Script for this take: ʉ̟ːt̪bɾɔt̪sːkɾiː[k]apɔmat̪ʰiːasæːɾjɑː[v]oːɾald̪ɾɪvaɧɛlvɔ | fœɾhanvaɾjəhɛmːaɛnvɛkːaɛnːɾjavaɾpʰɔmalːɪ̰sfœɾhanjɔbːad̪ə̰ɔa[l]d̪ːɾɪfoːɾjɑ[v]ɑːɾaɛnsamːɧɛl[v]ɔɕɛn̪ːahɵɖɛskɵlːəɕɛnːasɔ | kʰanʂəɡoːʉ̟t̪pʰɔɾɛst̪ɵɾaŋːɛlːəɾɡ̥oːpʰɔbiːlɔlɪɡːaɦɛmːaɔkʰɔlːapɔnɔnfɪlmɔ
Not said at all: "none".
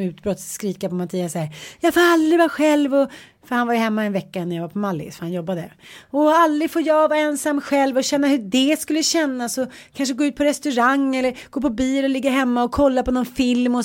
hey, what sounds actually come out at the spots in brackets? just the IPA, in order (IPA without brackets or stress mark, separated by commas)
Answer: k, f, l, v, v